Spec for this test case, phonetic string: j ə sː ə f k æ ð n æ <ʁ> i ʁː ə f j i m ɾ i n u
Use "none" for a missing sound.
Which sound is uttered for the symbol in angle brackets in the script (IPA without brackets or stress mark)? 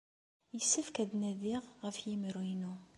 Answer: ð